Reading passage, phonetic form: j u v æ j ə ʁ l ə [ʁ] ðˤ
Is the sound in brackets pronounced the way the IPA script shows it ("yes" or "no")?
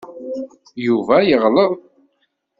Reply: no